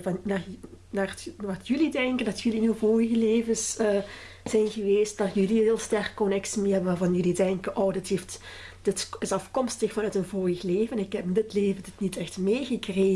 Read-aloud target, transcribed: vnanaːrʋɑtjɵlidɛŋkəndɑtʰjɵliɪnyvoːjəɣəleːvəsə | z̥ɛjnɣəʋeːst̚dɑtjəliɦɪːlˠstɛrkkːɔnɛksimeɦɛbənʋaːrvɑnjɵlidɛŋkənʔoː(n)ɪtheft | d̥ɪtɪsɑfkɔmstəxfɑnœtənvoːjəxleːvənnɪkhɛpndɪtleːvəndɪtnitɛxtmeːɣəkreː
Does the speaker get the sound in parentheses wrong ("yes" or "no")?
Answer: yes